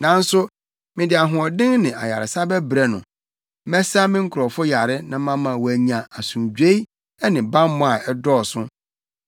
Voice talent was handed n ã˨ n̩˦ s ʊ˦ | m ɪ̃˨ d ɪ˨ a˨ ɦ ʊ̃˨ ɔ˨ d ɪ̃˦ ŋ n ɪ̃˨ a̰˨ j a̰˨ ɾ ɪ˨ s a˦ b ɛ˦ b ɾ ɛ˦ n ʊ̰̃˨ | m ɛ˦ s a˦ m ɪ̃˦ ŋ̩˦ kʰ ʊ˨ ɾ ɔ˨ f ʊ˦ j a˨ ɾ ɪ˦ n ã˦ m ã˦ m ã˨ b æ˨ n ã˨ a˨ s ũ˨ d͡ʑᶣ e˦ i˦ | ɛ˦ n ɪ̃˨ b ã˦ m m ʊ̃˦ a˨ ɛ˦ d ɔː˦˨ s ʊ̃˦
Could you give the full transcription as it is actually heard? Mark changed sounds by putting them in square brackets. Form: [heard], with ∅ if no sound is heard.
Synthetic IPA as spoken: n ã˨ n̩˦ s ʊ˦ | m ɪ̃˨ d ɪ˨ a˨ ɦ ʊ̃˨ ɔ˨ d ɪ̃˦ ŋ n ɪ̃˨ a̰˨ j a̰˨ ɾ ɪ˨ s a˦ b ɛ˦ b ɾ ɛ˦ n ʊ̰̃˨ | m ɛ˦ s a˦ m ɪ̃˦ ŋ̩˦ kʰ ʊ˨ ɾ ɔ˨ f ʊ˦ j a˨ ɾ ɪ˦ n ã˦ m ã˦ m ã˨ [w] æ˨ [ɲ] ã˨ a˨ s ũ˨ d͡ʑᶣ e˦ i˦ | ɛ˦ n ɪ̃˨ b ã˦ m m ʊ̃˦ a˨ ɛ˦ d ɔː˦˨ s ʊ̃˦